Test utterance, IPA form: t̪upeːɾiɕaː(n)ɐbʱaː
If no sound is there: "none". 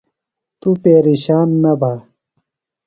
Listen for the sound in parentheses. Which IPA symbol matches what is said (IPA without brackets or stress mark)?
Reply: nː